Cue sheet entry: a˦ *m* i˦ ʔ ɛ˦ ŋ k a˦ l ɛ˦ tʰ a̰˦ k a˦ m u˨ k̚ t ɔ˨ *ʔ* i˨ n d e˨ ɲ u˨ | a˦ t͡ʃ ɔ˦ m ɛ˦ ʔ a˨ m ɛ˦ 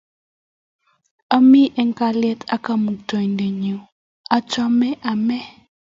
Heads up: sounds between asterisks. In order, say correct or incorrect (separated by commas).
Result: correct, incorrect